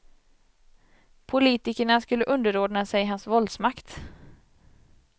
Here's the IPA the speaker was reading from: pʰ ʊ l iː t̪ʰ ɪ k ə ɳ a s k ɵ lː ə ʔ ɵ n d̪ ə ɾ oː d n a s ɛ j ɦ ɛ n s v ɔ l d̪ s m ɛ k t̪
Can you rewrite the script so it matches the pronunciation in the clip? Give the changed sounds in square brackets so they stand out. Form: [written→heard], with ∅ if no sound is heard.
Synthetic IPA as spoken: pʰ ʊ l iː [t̪ʰ→t̪] ɪ k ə ɳ a s k ɵ lː ə ʔ ɵ n d̪ ə ɾ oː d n a s ɛ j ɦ [ɛ→a] n s v ɔ l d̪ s m [ɛ→a] k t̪

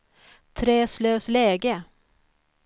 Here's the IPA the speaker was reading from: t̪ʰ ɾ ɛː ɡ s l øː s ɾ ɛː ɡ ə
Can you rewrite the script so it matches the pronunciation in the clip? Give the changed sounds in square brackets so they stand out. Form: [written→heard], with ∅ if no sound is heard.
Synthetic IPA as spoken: t̪ʰ ɾ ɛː [ɡ→∅] s l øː s [ɾ→l] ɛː ɡ ə

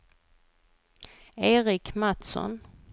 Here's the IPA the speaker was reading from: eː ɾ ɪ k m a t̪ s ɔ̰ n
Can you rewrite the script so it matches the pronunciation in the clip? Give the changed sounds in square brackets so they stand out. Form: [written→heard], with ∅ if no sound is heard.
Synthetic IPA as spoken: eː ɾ ɪ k m a t̪ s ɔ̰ n

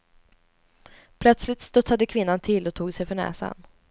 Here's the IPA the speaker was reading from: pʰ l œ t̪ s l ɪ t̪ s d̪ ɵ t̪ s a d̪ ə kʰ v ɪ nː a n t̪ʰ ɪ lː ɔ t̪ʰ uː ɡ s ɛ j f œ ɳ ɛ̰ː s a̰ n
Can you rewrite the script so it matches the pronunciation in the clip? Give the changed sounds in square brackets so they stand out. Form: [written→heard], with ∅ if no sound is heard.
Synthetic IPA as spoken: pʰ l œ t̪ s l ɪ t̪ s [d̪→t̪] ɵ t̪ s a d̪ ə kʰ v ɪ nː a n t̪ʰ ɪ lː ɔ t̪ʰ uː ɡ s ɛ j f œ ɳ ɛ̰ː s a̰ n

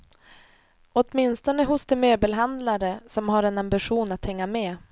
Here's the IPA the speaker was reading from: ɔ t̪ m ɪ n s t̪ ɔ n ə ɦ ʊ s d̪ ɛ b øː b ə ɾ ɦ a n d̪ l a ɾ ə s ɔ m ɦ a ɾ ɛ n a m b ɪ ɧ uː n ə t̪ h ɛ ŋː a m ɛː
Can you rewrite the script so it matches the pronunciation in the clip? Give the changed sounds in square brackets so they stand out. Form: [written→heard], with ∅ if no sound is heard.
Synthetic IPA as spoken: ɔ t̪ m ɪ n s t̪ ɔ n ə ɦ ʊ s d̪ ɛ [b→m] øː b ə [ɾ→l] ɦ a n d̪ l a ɾ ə s ɔ m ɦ a ɾ ɛ n a m b ɪ ɧ uː n [ə→a] t̪ h ɛ ŋː a m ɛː

